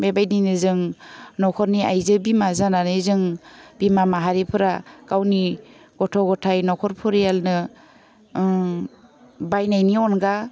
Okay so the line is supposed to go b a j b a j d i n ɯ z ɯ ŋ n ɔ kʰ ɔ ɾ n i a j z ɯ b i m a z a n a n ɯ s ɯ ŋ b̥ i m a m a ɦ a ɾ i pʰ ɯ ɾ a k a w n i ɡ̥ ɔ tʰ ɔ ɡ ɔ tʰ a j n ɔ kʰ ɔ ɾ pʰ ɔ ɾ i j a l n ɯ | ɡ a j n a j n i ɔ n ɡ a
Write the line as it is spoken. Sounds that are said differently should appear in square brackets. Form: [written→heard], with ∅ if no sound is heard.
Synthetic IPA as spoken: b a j b a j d i n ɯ z ɯ ŋ n ɔ kʰ ɔ ɾ n i a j z ɯ b i m a z a n a n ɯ [s→z] ɯ ŋ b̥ i m a m a ɦ a ɾ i pʰ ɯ ɾ a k a w n i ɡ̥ ɔ tʰ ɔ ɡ ɔ tʰ a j n ɔ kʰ ɔ ɾ pʰ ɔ ɾ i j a l n ɯ | [ɡ→b] a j n a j n i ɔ n ɡ a